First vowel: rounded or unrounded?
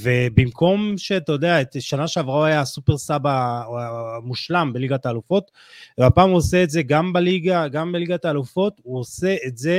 unrounded